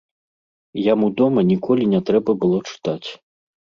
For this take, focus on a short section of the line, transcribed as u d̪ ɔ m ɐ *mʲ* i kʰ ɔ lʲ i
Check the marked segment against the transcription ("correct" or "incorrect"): incorrect